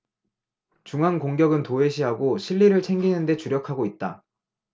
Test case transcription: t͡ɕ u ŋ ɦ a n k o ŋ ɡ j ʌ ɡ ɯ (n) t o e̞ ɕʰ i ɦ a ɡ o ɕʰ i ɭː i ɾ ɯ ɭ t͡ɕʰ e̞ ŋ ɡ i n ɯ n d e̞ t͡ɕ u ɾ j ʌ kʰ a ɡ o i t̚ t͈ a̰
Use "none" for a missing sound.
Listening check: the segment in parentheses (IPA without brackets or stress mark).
n